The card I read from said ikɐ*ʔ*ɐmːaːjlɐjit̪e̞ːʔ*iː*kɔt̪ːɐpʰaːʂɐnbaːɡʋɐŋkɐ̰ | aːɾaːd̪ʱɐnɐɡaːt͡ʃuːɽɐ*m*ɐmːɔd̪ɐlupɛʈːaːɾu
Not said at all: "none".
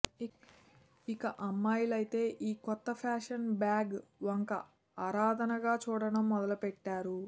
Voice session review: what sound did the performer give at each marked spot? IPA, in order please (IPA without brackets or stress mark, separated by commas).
ʔ, iː, n